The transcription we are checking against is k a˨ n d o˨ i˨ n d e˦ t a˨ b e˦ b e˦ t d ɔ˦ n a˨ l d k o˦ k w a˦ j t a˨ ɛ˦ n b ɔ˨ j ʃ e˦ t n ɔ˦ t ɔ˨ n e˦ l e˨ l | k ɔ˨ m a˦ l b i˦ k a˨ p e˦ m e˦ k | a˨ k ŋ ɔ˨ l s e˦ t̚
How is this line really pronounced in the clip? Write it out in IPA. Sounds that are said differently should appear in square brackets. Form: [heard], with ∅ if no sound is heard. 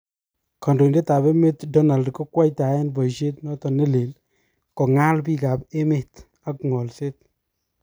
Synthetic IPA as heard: k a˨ n d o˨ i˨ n d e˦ t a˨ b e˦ [m] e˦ t d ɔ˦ n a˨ l d k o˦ k w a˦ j t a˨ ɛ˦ n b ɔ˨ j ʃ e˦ t n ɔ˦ t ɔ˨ n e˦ l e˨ l | k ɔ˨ [ŋ] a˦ l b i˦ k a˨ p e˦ m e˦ [t] | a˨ k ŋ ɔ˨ l s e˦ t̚